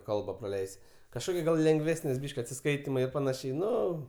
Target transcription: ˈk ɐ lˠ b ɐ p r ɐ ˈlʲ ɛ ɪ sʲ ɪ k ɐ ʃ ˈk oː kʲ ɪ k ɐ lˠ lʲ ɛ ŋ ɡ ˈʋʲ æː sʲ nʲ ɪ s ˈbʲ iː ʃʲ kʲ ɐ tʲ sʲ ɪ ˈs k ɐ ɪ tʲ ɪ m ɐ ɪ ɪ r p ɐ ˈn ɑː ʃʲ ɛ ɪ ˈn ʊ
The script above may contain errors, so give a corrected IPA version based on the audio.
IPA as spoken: ˈk ɐ lˠ b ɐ p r ɐ ˈlʲ ɛ ɪ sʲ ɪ k ɐ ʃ ˈk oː kʲ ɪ ɡ ɐ lˠ lʲ ɛ ŋ ɡ ˈʋʲ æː sʲ nʲ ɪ s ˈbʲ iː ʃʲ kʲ ɐ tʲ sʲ ɪ ˈs k ɐ ɪ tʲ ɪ m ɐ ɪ ɪ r p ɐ ˈn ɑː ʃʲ ɛ ɪ ˈn ʊ

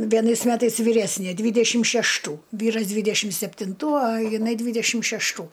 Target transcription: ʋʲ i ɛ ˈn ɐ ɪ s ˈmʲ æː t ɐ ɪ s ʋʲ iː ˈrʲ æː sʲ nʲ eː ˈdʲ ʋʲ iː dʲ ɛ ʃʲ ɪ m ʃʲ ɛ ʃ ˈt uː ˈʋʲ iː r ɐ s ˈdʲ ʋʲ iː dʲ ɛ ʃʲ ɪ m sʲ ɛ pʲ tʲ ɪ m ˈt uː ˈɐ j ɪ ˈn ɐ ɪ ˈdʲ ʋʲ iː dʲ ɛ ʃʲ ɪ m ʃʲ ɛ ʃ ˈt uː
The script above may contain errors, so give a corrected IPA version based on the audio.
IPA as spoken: ʋʲ i ɛ ˈn ɐ ɪ s ˈmʲ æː t ɐ ɪ s ʋʲ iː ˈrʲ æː sʲ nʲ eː ˈdʲ ʋʲ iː dʲ ɛ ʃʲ ɪ m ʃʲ ɛ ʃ ˈt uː ˈʋʲ iː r ɐ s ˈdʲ ʋʲ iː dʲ ɛ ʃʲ ɪ m sʲ ɛ pʲ tʲ ɪ n ˈt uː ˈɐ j ɪ ˈn ɐ ɪ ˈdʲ ʋʲ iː dʲ ɛ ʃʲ ɪ m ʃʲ ɛ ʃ ˈt uː

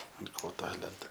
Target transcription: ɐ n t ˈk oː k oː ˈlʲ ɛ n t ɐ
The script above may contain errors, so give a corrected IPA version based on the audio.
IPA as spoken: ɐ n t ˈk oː t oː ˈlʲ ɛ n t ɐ

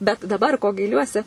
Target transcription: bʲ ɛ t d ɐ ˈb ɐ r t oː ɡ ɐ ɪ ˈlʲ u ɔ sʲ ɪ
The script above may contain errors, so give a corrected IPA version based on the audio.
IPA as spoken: bʲ ɛ t d ɐ ˈb ɐ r k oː ɡ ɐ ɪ ˈlʲ u ɔ sʲ ɪ

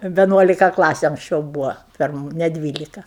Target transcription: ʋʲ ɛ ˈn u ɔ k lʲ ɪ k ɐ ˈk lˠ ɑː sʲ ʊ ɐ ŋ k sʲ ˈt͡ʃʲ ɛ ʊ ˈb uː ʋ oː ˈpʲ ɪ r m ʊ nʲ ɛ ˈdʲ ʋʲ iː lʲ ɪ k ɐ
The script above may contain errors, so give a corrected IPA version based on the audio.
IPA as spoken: ʋʲ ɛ ˈn u ɔ lʲ ɪ k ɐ ˈk lˠ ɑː sʲ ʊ ɐ ŋ k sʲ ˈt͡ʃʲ ɛ ʊ ˈb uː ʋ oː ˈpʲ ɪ r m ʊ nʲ ɛ ˈdʲ ʋʲ iː lʲ ɪ k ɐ

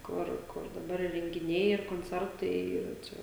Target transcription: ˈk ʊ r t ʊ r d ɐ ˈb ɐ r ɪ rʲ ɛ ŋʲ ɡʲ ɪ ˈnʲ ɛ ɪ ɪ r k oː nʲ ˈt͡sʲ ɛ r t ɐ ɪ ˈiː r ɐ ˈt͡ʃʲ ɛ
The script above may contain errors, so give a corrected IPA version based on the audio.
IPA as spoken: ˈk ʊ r k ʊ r d ɐ ˈb ɐ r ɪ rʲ ɛ ŋʲ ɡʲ ɪ ˈnʲ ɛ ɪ ɪ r k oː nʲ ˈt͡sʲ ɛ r t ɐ ɪ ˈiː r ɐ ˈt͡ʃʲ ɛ

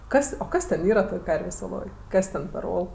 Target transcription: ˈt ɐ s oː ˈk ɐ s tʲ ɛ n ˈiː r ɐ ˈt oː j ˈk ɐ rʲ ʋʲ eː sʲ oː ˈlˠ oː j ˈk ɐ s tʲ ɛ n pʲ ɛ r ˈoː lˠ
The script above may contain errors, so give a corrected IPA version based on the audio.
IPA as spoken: ˈk ɐ s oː ˈk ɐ s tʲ ɛ n ˈiː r ɐ ˈt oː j ˈk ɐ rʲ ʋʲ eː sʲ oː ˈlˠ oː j ˈk ɐ s tʲ ɛ n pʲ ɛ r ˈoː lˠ

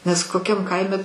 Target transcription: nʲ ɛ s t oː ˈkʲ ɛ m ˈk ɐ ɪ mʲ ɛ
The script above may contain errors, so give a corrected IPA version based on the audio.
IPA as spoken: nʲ ɛ s k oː ˈkʲ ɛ m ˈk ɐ ɪ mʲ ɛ

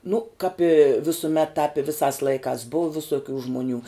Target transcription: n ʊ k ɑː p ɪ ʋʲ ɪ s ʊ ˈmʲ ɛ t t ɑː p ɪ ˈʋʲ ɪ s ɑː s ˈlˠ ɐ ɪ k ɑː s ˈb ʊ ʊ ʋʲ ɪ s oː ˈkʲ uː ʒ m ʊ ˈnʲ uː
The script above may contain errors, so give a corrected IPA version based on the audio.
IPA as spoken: n ʊ k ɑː p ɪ ʋʲ ɪ s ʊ ˈmʲ ɛ t t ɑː p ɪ ˈʋʲ ɪ s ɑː s ˈlˠ ɐ ɪ k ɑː s ˈb ʊ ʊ ʋʲ ɪ s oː ˈkʲ uː ʒ m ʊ ˈnʲ uː

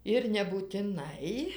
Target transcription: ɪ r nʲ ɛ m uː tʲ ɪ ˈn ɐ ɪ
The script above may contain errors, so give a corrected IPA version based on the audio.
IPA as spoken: ɪ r nʲ ɛ b uː tʲ ɪ ˈn ɐ ɪ

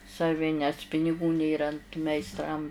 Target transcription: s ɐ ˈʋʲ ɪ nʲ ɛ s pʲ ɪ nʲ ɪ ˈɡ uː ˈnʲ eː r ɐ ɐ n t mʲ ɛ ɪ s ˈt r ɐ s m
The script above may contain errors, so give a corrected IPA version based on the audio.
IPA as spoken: s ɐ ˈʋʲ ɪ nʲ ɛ s pʲ ɪ nʲ ɪ ˈɡ uː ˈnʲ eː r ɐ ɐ n t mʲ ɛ ɪ s ˈt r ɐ m

